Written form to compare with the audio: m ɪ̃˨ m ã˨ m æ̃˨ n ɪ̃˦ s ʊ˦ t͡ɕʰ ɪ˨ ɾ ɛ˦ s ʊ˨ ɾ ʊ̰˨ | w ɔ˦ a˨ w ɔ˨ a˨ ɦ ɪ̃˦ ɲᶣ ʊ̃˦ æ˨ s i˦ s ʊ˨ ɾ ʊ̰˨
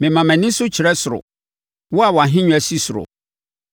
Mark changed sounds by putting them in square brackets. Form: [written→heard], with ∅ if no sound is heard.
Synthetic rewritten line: m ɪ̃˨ m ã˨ m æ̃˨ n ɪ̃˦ s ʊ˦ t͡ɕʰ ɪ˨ ɾ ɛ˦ s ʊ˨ ɾ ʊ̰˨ | w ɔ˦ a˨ w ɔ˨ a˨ ɦ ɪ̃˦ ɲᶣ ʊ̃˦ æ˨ s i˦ s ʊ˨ ɾ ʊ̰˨